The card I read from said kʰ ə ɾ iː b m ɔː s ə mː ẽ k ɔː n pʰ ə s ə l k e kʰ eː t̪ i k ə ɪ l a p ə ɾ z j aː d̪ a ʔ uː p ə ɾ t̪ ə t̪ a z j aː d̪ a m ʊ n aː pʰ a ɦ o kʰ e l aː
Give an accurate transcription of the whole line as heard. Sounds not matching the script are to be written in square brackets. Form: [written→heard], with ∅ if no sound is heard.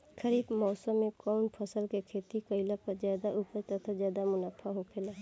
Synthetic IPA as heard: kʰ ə ɾ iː b m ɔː s ə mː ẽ k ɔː n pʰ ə s ə l k e kʰ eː t̪ i k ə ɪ l a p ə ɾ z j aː d̪ a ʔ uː p ə ɾ t̪ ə [t̪→t̪ʰ] a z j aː d̪ a m ʊ n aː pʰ a ɦ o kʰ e l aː

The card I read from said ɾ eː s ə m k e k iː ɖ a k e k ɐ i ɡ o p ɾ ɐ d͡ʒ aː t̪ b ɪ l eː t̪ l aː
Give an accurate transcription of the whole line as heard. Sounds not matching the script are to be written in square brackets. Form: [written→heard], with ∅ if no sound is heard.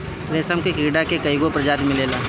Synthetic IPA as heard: ɾ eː s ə m k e k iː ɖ a k e k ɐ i ɡ o p ɾ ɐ d͡ʒ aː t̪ [b→m] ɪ l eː [t̪→∅] l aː

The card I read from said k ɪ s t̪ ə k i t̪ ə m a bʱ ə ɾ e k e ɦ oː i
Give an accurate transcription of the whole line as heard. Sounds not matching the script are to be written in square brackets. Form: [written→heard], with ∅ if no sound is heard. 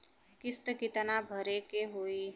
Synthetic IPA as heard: k ɪ s t̪ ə k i t̪ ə [m→n] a bʱ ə ɾ e k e ɦ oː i

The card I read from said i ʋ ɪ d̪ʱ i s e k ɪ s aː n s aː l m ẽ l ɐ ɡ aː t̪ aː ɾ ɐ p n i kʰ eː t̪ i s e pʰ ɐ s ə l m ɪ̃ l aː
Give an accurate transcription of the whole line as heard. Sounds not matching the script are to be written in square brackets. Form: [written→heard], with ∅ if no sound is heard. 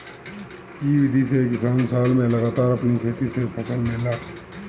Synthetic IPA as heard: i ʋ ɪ d̪ʱ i s e k ɪ s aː n s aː l m ẽ l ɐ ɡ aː t̪ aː ɾ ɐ p n i kʰ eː t̪ i s e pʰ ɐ s ə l m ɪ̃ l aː

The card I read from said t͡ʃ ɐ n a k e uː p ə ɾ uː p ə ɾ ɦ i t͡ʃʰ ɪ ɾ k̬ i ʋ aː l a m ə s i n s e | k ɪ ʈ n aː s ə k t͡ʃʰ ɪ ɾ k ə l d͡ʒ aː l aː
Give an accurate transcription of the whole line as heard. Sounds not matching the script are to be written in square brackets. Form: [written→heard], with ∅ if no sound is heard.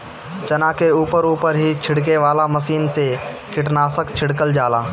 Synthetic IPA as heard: t͡ʃ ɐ n a k e uː p ə ɾ uː p ə ɾ ɦ i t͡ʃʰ ɪ [ɾ→ɽ] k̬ [i→e] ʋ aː l a m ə s [i→iː] n s e | k ɪ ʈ n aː s ə k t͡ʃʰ ɪ [ɾ→ɽ] k ə l d͡ʒ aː l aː

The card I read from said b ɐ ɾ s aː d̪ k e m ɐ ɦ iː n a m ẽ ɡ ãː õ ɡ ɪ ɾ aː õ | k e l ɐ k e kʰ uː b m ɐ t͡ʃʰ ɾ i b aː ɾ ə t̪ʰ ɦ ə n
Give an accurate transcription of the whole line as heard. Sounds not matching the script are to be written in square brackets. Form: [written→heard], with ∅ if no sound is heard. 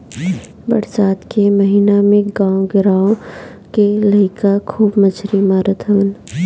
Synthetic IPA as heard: b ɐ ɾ s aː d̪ k e m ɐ ɦ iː n a m ẽ ɡ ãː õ ɡ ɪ ɾ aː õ | k e l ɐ k [e→a] kʰ uː b m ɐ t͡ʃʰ ɾ i [b→m] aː ɾ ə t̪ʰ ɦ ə n

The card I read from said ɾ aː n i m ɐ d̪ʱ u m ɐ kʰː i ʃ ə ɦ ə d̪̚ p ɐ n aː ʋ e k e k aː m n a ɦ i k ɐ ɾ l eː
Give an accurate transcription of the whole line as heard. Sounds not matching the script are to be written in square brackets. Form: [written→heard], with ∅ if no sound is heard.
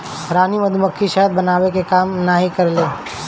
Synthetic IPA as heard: ɾ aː n i m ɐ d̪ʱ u m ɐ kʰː i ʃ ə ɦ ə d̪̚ [p→b] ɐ n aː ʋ e k e k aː m n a ɦ i k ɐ ɾ l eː

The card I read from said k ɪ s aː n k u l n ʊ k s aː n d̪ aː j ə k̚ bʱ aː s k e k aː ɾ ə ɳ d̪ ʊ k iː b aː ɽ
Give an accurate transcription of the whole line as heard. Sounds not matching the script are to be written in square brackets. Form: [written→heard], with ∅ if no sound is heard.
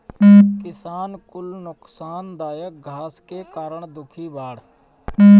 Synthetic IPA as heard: k ɪ s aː n k [u→ʊ] l n ʊ k s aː n d̪ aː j ə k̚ [bʱ→ɡʱ] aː s k e k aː ɾ ə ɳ d̪ ʊ [k→kʰ] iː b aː ɽ

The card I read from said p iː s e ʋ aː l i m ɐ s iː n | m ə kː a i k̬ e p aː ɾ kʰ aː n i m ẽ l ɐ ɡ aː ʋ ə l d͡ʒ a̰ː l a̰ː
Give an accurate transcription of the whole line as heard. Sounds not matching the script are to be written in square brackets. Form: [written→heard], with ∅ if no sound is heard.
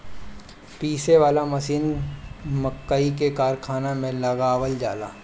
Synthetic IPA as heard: p iː s e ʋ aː l [i→a] m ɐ s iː n | m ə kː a i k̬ e [p→k] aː ɾ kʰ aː n [i→a] m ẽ l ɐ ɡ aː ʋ ə l d͡ʒ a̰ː l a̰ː

